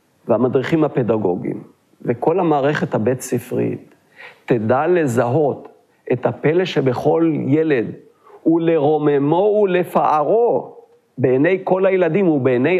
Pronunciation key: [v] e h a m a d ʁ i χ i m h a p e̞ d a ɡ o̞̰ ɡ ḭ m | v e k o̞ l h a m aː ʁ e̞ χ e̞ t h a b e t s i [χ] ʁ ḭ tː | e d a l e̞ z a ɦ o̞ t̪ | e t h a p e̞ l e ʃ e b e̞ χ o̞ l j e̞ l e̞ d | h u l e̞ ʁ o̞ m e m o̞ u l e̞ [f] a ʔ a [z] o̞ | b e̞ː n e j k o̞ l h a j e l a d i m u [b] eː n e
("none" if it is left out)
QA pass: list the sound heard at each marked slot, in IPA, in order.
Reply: v, f, f, ʁ, b

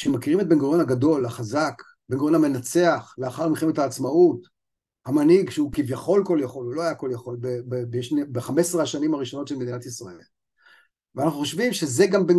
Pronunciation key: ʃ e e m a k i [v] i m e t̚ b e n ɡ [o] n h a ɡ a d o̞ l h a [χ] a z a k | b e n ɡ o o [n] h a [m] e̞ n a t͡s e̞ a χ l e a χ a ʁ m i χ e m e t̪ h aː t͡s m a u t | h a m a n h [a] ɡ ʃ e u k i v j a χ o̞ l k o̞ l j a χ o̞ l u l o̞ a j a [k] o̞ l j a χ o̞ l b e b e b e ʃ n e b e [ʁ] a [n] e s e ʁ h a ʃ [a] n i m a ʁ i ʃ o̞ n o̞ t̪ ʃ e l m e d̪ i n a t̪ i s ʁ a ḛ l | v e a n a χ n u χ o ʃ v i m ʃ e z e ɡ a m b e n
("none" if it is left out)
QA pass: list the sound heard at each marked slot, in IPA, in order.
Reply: ʁ, o, χ, n, m, i, k, χ, m, a

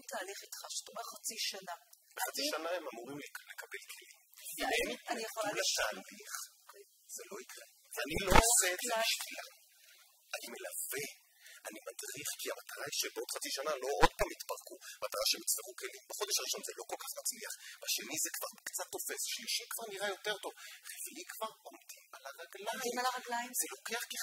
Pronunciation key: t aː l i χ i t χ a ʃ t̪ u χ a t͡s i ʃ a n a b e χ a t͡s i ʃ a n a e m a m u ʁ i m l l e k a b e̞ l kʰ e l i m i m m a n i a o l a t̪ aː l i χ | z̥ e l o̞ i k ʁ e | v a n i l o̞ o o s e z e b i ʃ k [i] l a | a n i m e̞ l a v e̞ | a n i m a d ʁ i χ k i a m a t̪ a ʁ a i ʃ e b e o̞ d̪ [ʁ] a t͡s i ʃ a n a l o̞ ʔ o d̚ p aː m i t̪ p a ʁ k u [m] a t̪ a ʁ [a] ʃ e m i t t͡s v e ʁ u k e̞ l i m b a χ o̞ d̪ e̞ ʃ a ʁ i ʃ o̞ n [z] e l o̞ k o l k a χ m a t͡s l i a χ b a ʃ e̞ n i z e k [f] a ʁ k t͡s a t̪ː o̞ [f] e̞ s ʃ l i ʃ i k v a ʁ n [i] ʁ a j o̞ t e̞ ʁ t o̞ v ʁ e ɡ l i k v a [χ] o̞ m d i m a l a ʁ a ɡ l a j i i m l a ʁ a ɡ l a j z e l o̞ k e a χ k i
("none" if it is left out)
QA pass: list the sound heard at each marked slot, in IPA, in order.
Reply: i, χ, m, a, z, v, f, i, ʁ

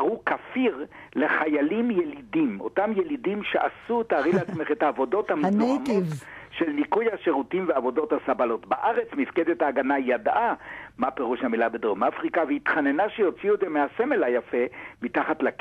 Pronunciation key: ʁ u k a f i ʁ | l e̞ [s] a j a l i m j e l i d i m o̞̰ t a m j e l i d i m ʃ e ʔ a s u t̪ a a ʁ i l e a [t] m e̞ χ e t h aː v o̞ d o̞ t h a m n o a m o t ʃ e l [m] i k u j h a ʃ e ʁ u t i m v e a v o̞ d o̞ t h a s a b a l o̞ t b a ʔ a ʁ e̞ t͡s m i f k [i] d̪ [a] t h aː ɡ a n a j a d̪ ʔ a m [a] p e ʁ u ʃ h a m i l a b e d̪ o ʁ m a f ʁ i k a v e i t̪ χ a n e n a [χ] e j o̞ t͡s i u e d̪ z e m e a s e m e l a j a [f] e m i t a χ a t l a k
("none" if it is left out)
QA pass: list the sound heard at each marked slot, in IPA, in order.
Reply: χ, t͡s, n, e, e, a, ʃ, f

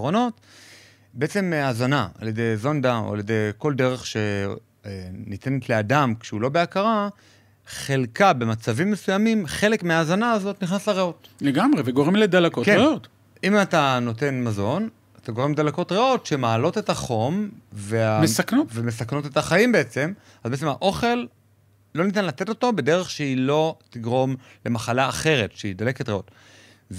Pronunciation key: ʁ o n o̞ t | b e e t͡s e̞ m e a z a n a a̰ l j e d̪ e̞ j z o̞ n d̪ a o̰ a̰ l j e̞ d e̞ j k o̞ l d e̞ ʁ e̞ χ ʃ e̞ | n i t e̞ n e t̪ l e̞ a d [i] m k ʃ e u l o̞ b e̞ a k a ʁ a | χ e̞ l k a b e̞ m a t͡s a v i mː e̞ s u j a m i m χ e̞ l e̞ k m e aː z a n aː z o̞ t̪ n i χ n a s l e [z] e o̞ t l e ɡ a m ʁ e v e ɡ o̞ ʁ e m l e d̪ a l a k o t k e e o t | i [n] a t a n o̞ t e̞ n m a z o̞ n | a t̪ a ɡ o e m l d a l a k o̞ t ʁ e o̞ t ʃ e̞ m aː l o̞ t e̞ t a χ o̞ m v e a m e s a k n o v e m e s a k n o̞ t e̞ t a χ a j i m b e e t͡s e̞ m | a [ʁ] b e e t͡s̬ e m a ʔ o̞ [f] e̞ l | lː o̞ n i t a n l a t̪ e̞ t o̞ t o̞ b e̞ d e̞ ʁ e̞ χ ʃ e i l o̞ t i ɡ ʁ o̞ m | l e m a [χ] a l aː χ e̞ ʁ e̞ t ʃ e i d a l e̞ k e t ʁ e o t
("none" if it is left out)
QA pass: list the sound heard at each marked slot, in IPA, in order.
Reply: a, ʁ, m, z, χ, χ

